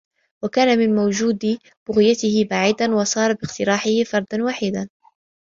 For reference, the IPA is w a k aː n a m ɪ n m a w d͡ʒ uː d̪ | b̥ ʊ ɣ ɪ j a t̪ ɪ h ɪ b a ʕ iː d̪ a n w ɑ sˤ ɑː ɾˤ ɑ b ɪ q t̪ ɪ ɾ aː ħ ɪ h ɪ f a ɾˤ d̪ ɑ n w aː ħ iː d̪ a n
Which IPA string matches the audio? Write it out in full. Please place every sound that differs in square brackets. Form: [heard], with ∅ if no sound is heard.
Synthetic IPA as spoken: w a k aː n a m ɪ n m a w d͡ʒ uː d̪ | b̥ ʊ ɣ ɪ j a t̪ ɪ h ɪ b a ʕ iː d̪ a n w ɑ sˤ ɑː ɾˤ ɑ b ɪ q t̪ ɪ ɾ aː ħ ɪ h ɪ f [ɑ] ɾˤ d̪ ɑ n w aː ħ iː d̪ a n